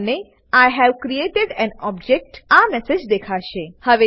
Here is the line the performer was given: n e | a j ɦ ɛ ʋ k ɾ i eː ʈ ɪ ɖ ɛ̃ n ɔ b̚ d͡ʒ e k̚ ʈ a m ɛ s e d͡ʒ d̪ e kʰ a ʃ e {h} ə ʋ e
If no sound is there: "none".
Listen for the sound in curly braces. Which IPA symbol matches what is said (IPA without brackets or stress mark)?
h